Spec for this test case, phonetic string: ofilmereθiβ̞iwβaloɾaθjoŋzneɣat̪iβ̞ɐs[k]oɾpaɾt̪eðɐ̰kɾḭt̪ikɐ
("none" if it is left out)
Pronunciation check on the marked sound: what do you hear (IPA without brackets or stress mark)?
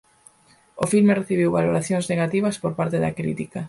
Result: p